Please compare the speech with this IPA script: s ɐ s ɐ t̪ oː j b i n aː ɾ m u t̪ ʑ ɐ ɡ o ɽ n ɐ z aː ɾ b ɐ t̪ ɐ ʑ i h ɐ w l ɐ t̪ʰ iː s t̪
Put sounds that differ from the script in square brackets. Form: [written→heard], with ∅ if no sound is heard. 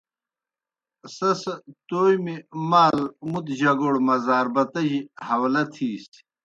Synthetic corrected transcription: s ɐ s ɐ t̪ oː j [b→m] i [n→m] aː [ɾ→l] m u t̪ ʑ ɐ ɡ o ɽ [n→m] ɐ z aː ɾ b ɐ t̪ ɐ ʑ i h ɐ w l ɐ t̪ʰ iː s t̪